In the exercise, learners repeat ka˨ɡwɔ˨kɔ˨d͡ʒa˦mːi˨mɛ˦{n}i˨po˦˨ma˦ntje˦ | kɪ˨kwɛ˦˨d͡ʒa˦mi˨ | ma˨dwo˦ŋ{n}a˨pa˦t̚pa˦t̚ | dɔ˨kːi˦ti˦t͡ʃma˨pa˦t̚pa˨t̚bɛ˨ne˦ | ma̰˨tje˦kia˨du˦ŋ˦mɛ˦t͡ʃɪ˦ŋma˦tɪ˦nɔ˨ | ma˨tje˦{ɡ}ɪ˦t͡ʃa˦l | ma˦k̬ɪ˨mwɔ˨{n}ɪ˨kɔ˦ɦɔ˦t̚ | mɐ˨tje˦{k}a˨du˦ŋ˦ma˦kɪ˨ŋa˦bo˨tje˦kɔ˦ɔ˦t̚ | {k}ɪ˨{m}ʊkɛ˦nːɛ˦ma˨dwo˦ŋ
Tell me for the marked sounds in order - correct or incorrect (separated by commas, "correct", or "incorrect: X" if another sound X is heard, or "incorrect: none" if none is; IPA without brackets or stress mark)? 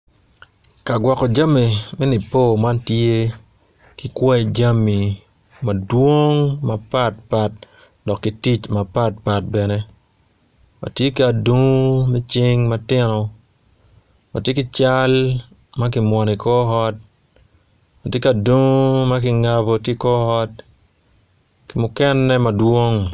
correct, incorrect: m, incorrect: k, correct, correct, correct, correct